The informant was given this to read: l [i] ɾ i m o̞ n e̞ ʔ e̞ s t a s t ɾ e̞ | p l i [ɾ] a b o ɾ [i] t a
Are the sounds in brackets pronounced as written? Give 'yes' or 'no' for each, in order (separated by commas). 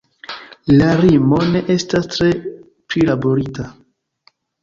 no, no, yes